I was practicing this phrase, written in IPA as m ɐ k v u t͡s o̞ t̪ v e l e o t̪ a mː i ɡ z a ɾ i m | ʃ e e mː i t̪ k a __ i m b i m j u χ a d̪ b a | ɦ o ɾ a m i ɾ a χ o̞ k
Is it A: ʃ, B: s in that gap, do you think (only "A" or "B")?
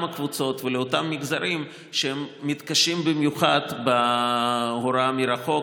A